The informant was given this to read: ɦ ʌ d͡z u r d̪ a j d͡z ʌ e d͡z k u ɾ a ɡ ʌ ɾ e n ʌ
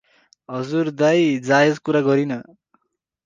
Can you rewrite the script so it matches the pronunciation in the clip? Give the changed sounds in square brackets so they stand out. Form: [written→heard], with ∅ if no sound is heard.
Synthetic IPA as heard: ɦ ʌ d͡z u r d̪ a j d͡z [ʌ→a] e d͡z k u ɾ a ɡ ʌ ɾ [e→i] n ʌ